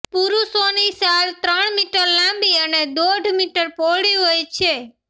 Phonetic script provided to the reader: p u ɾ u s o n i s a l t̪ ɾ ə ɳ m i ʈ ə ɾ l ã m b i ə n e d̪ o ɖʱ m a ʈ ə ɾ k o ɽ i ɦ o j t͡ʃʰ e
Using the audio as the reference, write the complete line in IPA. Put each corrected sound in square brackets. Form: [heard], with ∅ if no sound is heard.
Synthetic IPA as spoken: p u ɾ u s o n i s a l t̪ ɾ ə ɳ m i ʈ ə ɾ l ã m b i ə n e d̪ o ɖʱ m [i] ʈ ə ɾ [p] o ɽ i ɦ o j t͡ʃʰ e